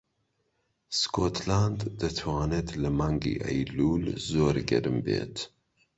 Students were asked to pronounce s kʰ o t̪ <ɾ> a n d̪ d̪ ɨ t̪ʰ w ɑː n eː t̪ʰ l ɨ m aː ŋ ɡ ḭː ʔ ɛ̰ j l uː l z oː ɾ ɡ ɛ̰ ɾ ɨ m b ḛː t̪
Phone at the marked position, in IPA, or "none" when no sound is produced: l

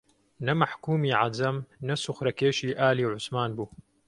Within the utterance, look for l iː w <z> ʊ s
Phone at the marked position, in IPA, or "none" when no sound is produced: ʕ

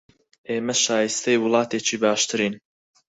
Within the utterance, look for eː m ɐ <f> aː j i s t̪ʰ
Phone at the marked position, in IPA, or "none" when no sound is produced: ʃ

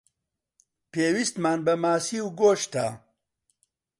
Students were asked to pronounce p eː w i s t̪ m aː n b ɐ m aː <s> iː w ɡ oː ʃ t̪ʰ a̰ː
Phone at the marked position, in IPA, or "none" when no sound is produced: s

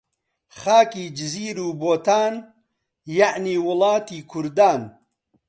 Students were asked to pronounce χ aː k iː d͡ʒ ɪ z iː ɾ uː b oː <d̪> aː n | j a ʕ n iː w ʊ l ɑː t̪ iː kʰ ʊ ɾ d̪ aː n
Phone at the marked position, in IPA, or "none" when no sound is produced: t̪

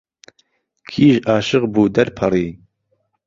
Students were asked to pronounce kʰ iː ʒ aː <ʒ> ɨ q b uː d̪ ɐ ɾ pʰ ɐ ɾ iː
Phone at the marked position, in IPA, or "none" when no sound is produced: ʃ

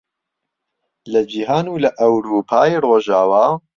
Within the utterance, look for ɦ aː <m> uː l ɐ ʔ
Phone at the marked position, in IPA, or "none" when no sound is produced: n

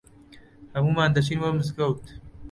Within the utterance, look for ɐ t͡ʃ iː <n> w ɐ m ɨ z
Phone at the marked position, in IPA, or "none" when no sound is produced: n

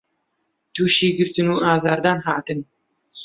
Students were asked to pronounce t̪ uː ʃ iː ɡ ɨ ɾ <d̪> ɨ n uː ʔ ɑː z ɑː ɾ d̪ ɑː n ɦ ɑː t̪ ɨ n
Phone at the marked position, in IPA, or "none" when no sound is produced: t̪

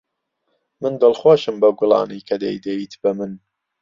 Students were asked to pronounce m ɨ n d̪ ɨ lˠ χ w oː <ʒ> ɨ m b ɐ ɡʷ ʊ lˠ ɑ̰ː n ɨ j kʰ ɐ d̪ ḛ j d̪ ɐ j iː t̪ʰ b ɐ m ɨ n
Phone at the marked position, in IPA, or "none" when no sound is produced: ʃ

